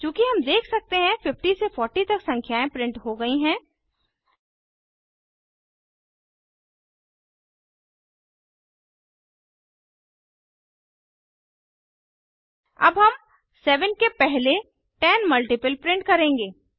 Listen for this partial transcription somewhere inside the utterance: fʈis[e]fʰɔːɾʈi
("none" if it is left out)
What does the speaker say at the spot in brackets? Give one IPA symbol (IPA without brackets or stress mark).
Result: e